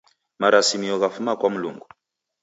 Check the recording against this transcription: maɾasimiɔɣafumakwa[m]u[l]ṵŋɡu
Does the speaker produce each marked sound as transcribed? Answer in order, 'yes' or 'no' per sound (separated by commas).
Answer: yes, yes